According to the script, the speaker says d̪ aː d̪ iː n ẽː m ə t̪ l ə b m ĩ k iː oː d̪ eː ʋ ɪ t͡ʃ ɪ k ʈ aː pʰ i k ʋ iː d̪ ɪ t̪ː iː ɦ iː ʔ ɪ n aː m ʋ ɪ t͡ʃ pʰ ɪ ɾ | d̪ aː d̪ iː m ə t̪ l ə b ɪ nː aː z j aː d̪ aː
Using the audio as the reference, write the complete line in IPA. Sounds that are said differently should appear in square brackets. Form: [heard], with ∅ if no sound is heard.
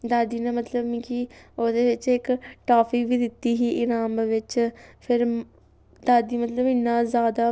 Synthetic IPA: d̪ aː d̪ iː n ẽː m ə t̪ l ə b m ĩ k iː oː d̪ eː ʋ ɪ t͡ʃ ɪ k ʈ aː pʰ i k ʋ iː d̪ ɪ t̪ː iː ɦ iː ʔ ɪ n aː m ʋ ɪ t͡ʃ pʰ ɪ ɾ | d̪ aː d̪ iː m ə t̪ l ə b ɪ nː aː z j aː d̪ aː